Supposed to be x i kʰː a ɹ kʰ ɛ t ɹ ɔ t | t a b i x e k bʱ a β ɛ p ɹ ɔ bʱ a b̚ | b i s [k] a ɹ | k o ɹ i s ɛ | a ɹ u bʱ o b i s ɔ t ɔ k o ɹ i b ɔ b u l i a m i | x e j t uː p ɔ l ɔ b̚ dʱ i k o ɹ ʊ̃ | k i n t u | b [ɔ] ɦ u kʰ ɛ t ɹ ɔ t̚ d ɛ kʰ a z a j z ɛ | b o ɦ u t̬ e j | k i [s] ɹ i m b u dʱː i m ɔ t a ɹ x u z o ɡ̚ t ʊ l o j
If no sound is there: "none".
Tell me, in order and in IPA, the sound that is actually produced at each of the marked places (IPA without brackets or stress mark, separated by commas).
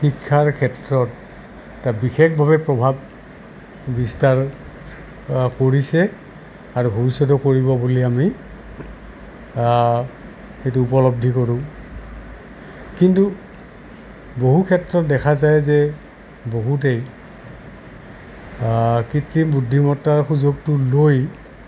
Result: t, o, t